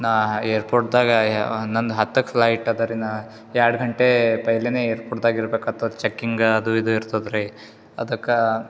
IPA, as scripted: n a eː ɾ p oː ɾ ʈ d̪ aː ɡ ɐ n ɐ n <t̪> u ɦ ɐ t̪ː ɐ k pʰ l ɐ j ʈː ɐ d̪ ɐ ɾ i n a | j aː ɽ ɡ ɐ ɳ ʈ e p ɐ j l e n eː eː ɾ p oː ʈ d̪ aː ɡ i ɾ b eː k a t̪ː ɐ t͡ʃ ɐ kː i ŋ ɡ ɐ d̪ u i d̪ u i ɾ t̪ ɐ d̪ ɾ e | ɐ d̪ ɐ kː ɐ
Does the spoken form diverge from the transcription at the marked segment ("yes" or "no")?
yes